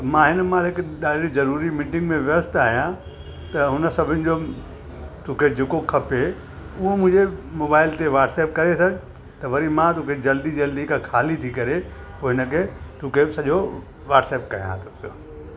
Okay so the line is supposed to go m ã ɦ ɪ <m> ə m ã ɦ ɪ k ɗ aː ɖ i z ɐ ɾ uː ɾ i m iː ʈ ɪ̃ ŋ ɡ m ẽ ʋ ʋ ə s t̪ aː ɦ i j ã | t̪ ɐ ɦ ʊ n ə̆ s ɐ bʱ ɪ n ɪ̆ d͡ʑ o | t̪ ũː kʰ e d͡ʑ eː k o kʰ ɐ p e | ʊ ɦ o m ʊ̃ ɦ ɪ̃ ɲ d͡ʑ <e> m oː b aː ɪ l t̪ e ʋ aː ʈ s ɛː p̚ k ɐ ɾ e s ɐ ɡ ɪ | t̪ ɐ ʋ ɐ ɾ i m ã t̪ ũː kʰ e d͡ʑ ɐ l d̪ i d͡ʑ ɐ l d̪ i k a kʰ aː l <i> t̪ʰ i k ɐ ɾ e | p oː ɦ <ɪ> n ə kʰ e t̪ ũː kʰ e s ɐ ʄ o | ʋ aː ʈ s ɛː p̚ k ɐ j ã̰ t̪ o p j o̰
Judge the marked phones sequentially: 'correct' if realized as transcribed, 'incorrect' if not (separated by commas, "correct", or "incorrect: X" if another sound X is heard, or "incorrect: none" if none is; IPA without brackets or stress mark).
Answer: incorrect: n, correct, correct, correct